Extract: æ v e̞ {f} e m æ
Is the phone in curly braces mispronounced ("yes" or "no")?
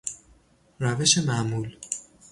yes